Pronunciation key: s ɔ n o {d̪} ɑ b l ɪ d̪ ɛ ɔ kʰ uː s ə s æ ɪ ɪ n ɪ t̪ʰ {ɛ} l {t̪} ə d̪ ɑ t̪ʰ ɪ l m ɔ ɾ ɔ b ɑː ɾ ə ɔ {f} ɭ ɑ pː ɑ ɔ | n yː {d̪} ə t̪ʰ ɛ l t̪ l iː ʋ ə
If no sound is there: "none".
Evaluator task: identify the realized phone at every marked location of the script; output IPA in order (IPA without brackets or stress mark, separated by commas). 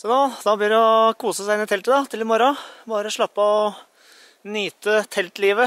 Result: d̪, ɛ, t̪, ʂ, t̪